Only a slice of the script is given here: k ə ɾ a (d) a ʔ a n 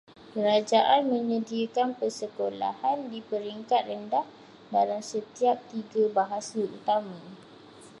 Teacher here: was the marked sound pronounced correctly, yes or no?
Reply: no